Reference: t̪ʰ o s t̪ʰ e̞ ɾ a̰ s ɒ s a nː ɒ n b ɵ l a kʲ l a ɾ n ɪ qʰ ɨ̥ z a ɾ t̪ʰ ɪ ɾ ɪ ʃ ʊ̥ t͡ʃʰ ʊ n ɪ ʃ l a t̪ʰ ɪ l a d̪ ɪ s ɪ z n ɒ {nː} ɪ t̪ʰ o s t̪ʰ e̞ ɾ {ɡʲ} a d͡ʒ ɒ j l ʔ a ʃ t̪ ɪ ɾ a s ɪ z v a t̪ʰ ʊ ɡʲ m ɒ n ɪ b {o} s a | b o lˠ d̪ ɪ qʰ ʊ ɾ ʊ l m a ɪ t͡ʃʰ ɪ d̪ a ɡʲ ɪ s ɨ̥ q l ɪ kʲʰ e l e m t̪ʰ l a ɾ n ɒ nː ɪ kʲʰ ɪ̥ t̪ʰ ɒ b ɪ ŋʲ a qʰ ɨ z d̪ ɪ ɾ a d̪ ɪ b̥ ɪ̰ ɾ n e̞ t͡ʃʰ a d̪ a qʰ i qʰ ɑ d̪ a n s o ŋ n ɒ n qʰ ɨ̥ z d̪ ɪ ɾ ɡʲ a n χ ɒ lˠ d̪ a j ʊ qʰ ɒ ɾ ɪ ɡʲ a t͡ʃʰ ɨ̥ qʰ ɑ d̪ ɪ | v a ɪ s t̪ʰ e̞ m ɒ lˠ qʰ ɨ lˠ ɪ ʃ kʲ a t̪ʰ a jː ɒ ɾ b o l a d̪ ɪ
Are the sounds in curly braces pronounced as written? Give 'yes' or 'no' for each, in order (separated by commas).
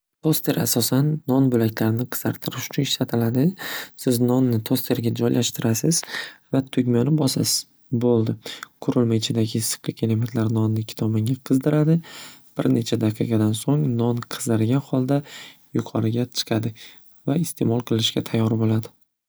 yes, yes, no